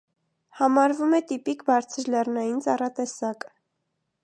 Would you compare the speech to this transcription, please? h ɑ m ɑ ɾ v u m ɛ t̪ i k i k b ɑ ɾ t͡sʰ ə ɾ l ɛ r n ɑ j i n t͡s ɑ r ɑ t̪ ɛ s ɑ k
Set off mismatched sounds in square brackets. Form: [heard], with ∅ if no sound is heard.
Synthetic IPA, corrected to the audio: h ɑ m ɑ ɾ v u m ɛ t̪ i [p] i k b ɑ ɾ t͡sʰ ə ɾ l ɛ r n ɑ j i n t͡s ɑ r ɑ t̪ ɛ s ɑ k